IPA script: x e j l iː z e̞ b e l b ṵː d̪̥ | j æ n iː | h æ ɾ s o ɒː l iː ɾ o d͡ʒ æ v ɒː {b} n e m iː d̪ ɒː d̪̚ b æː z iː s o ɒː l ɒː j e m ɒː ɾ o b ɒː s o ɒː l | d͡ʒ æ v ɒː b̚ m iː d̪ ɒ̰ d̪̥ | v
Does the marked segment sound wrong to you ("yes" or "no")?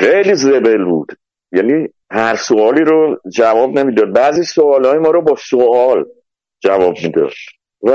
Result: no